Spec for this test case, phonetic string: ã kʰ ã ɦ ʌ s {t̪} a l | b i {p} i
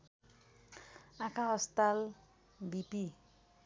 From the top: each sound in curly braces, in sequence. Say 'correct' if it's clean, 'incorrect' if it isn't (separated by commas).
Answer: correct, correct